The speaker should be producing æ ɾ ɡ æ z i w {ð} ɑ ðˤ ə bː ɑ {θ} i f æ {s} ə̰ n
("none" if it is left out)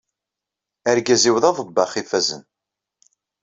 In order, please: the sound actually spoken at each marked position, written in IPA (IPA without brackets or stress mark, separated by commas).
ð, χ, z